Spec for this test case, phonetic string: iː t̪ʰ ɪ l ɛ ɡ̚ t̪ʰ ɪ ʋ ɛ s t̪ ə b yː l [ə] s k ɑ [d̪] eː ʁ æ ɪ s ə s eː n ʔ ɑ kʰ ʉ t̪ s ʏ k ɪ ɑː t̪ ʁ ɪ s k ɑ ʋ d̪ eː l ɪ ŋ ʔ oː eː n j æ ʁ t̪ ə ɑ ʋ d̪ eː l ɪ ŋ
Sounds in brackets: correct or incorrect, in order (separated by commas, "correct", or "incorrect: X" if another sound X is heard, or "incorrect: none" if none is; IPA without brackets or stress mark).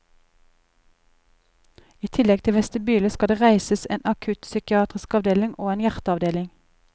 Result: correct, correct